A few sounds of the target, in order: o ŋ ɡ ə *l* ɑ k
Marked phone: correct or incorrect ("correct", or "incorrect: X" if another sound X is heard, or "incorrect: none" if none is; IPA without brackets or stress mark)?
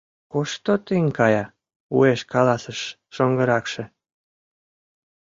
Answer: incorrect: ɾ